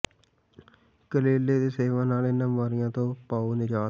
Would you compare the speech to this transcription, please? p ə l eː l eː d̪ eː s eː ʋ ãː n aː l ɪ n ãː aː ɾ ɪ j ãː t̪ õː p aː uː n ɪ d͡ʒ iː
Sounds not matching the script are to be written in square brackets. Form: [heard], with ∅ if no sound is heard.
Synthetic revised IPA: [k] ə l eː l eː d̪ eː s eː ʋ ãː n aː l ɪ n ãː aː ɾ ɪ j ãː t̪ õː p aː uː n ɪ d͡ʒ [aː]